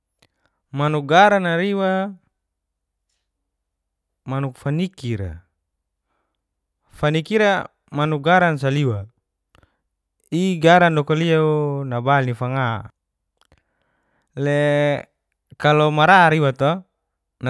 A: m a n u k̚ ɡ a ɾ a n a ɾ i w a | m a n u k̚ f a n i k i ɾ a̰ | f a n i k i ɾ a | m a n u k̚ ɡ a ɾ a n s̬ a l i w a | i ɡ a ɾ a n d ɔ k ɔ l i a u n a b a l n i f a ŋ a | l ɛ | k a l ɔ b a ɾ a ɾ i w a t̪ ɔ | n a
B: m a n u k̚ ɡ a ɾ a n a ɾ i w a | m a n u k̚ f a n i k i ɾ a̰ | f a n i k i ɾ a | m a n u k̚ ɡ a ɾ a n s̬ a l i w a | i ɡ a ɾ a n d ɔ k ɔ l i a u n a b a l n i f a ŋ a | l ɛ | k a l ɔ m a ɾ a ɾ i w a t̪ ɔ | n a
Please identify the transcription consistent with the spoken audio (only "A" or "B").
B